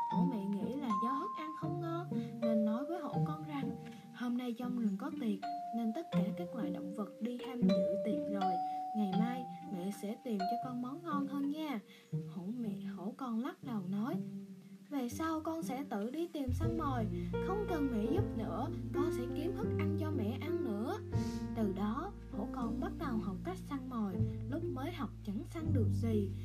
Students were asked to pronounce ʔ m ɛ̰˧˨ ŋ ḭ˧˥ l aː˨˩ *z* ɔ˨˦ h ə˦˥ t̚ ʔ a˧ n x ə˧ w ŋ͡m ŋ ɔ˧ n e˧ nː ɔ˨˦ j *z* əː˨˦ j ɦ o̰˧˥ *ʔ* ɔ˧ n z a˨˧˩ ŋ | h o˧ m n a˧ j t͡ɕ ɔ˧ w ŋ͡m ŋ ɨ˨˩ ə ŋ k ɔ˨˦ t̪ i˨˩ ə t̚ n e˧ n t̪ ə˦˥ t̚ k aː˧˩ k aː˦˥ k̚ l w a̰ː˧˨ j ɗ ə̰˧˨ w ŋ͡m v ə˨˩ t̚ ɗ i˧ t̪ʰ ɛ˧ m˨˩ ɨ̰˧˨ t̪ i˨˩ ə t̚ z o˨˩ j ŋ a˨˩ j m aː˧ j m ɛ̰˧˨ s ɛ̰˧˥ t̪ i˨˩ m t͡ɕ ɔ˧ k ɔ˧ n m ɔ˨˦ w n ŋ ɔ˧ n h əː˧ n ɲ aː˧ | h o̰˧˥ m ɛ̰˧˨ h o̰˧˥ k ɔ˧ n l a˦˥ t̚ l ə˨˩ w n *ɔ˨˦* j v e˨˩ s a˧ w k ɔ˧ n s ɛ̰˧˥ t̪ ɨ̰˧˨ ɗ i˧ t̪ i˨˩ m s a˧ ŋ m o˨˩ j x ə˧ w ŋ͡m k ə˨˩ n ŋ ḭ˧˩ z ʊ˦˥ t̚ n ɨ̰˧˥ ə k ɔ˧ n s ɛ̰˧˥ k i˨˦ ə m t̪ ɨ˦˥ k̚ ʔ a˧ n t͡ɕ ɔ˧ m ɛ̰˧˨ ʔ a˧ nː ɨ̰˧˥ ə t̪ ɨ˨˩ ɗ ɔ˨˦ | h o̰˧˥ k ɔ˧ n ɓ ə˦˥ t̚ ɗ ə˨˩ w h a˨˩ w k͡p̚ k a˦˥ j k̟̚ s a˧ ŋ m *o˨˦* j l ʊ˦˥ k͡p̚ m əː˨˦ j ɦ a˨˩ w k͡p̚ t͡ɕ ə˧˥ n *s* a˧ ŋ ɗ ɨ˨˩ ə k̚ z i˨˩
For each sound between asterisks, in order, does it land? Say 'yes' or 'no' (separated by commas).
yes, no, no, yes, no, yes